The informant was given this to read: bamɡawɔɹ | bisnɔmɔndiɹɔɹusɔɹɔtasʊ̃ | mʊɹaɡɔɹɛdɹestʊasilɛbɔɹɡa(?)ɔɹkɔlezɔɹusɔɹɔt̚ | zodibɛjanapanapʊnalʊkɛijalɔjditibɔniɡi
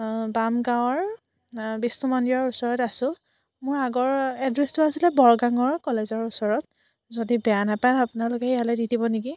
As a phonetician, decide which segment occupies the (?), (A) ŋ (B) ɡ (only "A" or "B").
A